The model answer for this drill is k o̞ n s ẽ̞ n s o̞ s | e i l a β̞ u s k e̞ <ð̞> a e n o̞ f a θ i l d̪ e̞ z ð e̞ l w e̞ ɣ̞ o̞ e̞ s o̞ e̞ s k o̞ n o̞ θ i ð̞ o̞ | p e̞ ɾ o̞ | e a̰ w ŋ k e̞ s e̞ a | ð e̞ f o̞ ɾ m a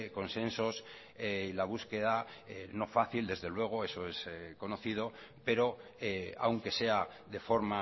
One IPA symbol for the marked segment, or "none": ð̞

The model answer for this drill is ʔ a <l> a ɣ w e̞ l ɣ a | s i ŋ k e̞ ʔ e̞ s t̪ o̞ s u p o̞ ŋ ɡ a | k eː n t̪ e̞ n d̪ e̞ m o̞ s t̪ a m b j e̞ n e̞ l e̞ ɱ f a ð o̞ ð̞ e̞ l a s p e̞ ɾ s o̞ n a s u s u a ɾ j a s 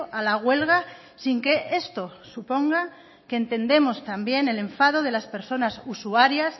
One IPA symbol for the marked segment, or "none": l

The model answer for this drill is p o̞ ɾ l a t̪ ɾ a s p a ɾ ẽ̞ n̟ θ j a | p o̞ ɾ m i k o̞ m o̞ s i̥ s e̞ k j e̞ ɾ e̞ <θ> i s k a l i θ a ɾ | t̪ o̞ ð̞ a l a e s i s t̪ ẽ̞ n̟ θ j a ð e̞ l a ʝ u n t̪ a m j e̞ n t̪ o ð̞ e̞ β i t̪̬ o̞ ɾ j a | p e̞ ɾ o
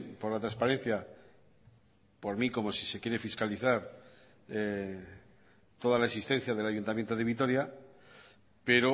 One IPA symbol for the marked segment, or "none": f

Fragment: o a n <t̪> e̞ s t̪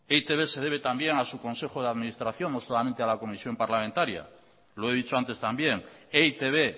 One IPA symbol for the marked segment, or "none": t̪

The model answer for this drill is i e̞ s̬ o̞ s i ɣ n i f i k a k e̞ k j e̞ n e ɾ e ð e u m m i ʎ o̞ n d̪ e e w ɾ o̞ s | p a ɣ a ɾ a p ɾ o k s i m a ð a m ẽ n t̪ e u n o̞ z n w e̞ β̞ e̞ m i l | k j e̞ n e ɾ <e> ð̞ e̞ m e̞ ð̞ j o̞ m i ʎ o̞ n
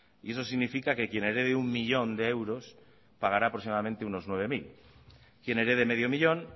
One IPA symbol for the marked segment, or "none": e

